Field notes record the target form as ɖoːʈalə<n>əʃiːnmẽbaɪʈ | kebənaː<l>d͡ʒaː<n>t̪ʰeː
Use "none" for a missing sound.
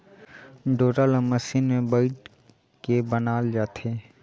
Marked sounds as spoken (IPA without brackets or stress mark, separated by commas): m, l, none